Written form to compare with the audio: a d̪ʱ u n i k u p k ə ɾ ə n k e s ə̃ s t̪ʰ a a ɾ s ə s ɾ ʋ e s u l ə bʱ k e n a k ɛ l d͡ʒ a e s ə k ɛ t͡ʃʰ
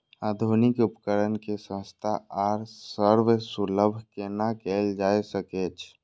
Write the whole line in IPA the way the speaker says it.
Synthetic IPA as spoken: a d̪ʱ u n i k u p k ə ɾ ə n k e s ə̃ s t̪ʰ a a ɾ s ə ɾ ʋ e s u l ə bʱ k e n a k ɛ l d͡ʒ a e s ə k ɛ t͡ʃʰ